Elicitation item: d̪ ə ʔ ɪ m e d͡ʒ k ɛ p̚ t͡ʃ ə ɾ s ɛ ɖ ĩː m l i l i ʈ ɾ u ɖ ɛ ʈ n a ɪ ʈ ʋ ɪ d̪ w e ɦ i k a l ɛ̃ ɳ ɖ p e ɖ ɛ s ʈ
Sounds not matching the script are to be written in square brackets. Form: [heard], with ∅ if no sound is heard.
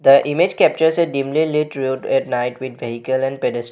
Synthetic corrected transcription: d̪ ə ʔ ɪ m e d͡ʒ k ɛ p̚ t͡ʃ ə ɾ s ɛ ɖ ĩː m l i l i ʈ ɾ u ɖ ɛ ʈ n a ɪ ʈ ʋ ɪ d̪ [ʋ] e ɦ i k [ə] l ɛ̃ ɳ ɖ p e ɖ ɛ s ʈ